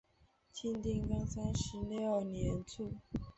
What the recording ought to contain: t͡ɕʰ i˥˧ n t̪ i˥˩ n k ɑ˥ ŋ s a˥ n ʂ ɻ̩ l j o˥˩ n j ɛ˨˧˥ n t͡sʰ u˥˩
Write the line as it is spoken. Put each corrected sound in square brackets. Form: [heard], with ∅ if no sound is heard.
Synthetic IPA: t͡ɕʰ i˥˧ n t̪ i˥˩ [ŋ] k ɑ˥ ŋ s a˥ n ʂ ɻ̩ l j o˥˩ n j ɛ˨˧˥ n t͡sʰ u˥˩